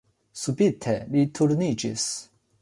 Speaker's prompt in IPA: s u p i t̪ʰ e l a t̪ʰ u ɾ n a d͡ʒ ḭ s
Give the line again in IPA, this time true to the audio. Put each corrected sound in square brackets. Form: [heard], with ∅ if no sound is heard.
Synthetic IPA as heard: s u [b] i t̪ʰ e l [i] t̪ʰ u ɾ n [i] d͡ʒ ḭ s